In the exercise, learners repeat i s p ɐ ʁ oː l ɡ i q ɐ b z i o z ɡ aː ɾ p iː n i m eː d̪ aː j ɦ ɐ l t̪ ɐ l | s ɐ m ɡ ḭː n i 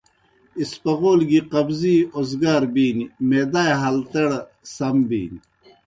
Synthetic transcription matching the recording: i s p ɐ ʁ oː l ɡ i q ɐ b z i o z ɡ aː ɾ b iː n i m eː d̪ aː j ɦ ɐ l t̪ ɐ ɽ | s ɐ m b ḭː n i